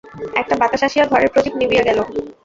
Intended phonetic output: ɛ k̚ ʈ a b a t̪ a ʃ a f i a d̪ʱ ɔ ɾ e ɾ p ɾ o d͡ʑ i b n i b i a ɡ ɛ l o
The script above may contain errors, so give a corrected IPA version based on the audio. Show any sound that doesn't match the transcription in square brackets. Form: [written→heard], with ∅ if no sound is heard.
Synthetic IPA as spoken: ɛ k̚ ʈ a b a t̪ a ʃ a [f→ʃ] i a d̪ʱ ɔ ɾ e ɾ p ɾ o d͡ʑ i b n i b i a ɡ ɛ l o